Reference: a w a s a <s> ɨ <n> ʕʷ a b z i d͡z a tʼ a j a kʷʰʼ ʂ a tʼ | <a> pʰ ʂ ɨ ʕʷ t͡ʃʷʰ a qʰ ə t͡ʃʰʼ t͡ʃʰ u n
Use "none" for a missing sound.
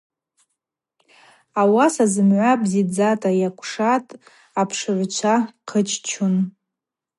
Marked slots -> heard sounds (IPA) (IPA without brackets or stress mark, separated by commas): z, m, a